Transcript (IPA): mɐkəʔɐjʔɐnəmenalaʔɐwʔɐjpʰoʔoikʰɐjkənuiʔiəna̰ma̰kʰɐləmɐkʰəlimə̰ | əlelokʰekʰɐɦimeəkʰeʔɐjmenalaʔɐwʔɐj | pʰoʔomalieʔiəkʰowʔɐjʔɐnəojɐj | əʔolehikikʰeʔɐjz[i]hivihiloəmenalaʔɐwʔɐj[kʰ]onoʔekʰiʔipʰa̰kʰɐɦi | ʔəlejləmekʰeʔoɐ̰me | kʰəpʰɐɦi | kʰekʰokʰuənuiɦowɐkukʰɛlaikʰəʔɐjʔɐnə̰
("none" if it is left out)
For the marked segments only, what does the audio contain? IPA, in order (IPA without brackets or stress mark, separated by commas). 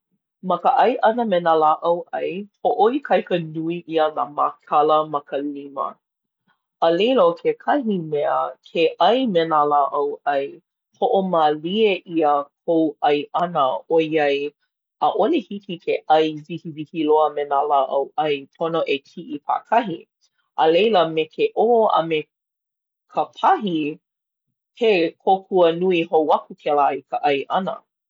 i, pʰ